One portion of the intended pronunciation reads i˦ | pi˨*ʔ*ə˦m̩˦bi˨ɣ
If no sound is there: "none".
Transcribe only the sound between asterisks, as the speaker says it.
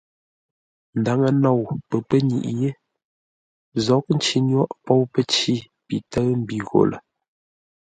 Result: t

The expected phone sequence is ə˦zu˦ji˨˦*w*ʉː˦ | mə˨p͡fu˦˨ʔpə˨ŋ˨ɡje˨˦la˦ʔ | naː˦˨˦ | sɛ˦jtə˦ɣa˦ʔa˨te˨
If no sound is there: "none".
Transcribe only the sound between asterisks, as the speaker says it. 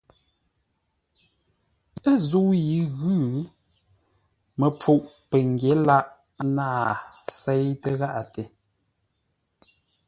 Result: ɣ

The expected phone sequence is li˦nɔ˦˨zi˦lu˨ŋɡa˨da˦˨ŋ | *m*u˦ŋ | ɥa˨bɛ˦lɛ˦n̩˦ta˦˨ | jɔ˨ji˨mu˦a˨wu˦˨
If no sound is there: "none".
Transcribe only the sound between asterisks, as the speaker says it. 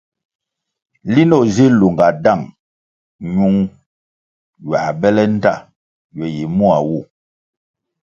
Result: ɲ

